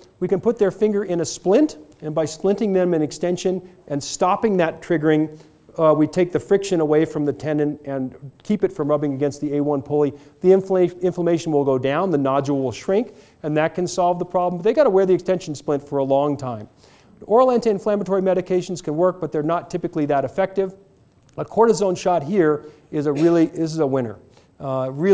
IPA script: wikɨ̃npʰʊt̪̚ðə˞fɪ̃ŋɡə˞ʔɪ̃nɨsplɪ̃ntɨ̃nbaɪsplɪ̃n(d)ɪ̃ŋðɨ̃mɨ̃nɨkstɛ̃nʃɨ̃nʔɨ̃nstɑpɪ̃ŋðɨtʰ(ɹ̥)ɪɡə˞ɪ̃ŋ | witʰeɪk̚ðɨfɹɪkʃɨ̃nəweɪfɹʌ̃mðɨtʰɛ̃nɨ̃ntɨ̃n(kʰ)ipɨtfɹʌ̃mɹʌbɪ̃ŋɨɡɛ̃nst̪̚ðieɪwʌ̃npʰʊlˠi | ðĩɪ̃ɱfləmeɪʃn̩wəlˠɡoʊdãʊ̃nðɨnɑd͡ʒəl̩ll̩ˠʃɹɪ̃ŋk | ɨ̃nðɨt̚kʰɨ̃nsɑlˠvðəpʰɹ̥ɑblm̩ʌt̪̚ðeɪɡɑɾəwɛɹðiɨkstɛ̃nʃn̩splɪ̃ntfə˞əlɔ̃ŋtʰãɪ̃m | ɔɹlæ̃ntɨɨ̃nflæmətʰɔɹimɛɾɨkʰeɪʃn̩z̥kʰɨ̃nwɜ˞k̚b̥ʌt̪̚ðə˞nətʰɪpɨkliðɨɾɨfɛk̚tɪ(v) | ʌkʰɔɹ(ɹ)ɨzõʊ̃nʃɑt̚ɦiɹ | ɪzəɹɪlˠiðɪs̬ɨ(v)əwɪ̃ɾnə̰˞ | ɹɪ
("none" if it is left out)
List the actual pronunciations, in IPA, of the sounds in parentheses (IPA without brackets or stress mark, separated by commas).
t, ɹ̥, kʰ, v, ɾ, z